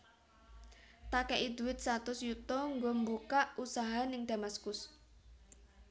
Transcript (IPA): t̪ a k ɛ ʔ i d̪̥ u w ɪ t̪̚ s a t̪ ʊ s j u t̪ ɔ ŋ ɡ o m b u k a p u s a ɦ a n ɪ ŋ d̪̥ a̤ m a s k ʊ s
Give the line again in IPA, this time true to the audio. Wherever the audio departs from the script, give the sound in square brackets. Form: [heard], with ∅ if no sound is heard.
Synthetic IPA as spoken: t̪ a k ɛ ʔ i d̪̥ u w ɪ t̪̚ s a t̪ ʊ s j u t̪ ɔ ŋ ɡ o m b u k a [ʔ] u s a ɦ a n ɪ ŋ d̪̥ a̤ m a s k ʊ s